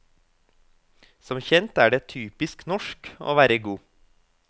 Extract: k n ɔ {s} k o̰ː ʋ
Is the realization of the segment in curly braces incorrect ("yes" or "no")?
yes